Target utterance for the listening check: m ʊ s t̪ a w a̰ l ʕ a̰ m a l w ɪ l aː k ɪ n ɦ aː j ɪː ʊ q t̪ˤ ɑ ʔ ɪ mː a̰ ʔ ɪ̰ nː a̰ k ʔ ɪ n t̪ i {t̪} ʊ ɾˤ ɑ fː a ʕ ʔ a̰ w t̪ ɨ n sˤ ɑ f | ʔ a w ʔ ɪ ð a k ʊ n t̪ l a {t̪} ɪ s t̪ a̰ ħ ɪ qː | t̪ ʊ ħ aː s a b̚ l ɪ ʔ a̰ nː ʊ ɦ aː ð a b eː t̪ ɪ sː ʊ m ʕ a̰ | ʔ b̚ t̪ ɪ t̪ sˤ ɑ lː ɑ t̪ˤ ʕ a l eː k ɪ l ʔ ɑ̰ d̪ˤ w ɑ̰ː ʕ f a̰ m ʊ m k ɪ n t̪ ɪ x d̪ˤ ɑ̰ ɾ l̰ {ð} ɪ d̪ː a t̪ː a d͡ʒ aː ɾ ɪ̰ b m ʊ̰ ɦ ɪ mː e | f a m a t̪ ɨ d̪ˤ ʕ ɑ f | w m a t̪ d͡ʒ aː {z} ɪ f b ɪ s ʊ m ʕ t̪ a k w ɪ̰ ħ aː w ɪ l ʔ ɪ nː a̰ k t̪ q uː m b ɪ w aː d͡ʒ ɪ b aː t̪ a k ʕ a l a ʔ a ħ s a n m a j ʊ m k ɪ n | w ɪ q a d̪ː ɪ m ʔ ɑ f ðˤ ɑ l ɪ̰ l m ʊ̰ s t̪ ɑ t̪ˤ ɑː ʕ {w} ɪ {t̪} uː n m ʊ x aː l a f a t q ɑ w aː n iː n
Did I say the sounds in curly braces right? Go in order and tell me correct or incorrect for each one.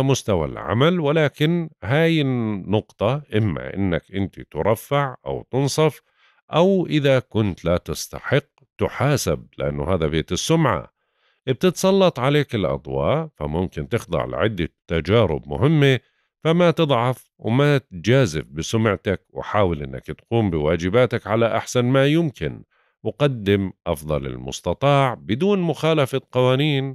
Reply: correct, correct, incorrect: ʕ, correct, incorrect: b, incorrect: d̪

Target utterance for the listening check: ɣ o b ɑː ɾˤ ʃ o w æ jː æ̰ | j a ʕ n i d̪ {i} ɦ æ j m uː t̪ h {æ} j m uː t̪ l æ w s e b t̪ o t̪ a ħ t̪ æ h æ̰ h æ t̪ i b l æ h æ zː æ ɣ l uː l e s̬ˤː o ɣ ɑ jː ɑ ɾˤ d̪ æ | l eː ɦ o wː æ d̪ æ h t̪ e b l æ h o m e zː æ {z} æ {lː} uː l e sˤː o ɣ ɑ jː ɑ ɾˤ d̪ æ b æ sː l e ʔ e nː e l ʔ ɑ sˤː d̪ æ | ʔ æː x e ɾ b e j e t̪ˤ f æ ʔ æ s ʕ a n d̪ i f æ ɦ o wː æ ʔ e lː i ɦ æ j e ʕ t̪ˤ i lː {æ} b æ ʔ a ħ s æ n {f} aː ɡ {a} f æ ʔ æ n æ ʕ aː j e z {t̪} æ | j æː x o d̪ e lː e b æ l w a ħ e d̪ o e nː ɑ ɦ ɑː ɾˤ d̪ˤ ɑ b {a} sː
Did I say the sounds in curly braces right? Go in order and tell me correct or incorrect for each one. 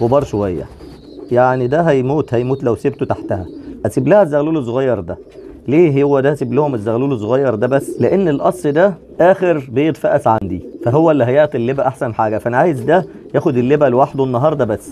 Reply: incorrect: æ, correct, incorrect: ɣ, incorrect: l, incorrect: e, incorrect: ħ, incorrect: æ, incorrect: d̪, incorrect: æ

